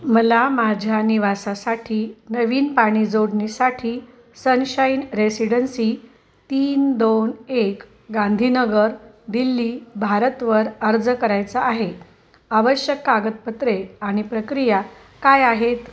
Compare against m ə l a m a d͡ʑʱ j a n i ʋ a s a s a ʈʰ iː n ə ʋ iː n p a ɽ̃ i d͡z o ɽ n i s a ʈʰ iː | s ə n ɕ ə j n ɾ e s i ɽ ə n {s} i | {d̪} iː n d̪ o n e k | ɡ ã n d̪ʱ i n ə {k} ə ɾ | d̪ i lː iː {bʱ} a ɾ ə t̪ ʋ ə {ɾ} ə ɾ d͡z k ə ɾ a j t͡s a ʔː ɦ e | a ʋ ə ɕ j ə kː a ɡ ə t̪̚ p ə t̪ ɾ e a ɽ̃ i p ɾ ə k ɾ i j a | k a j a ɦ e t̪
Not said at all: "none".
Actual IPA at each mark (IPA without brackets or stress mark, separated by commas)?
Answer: s, t̪, ɡ, bʱ, ɾ